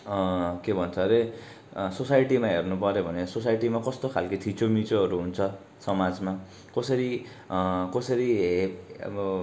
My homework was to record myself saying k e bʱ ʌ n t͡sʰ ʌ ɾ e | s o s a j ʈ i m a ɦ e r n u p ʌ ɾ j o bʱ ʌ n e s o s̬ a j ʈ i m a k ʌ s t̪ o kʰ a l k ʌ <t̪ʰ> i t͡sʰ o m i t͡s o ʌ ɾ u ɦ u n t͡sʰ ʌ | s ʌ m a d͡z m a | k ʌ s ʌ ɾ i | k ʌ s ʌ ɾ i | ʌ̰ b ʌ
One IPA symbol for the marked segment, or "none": t̪ʰ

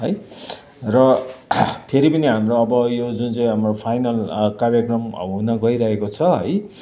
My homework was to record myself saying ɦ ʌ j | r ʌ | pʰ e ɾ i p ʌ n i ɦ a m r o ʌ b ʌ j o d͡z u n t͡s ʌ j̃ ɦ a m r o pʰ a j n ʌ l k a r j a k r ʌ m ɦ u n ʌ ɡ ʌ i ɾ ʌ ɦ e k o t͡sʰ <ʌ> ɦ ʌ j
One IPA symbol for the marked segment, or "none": ʌ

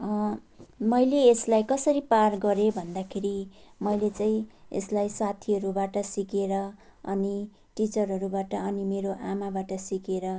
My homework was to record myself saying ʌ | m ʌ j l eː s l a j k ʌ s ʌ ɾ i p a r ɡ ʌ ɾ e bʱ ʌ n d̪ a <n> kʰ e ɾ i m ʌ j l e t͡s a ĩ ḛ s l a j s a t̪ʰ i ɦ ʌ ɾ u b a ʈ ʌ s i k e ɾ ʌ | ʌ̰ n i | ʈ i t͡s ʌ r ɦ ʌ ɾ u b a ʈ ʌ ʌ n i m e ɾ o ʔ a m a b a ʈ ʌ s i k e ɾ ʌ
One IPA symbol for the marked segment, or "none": none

